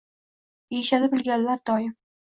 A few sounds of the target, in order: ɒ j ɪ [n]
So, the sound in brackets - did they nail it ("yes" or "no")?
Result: no